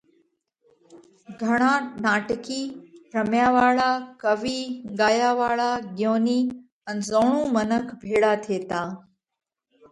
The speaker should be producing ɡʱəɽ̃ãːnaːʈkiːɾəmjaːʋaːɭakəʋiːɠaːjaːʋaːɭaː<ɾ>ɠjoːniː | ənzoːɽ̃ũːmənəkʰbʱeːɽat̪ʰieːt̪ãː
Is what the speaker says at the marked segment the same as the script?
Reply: no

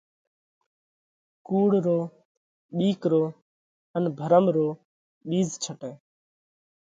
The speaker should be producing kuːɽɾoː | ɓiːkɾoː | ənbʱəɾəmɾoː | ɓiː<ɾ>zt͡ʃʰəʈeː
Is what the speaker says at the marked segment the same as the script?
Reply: no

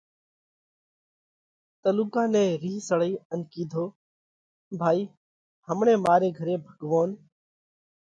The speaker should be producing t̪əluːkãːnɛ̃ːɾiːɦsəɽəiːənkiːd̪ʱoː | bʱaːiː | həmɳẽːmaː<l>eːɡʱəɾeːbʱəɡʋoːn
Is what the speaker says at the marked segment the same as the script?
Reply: no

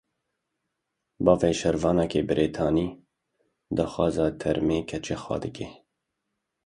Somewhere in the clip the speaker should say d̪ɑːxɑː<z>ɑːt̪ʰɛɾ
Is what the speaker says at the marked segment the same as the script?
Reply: yes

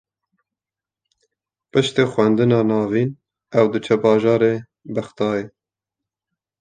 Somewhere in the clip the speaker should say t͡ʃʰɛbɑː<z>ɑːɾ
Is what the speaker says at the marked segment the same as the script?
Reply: no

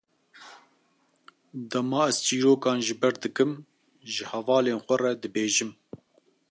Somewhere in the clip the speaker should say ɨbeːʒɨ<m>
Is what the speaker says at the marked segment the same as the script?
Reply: yes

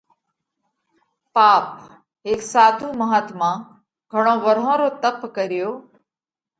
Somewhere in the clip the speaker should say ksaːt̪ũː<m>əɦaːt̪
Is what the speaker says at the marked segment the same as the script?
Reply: yes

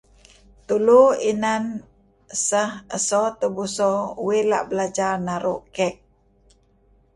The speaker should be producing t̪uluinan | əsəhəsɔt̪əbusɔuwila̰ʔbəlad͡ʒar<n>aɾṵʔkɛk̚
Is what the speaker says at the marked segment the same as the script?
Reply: yes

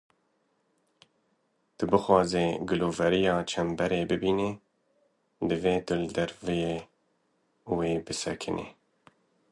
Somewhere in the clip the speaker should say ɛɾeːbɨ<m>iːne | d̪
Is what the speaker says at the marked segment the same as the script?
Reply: no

